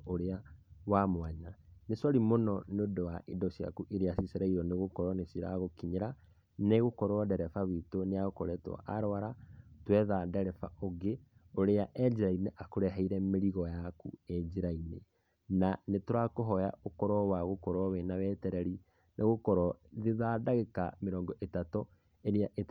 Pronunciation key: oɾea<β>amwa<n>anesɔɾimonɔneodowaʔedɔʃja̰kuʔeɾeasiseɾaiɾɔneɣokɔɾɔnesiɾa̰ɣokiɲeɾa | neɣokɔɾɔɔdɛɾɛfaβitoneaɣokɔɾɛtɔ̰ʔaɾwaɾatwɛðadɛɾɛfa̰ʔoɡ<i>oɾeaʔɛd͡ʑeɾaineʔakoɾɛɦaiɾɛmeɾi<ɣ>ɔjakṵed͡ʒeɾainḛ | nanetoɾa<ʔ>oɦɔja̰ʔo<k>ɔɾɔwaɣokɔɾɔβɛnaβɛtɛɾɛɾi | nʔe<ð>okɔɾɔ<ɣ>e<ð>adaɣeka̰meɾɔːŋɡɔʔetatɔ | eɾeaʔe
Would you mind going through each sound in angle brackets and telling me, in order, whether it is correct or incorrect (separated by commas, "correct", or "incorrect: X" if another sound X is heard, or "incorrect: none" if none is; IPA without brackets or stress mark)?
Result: incorrect: w, incorrect: ɲ, incorrect: e, correct, incorrect: k, correct, incorrect: ɣ, incorrect: ð, correct